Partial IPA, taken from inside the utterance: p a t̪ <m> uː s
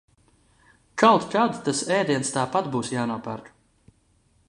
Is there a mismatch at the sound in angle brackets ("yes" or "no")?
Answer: yes